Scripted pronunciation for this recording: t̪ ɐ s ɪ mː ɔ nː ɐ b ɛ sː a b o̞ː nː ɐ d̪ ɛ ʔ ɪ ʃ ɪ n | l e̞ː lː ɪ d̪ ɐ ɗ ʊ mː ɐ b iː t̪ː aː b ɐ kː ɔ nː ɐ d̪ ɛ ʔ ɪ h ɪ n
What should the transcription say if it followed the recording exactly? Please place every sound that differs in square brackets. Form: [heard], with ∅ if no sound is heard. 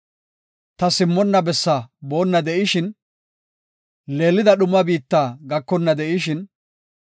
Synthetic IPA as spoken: t̪ ɐ s ɪ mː ɔ nː ɐ b ɛ sː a b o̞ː nː ɐ d̪ ɛ ʔ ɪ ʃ ɪ n | l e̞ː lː ɪ d̪ ɐ ɗ ʊ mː ɐ b iː t̪ː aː [ɡ] ɐ kː ɔ nː ɐ d̪ ɛ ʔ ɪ [ʃ] ɪ n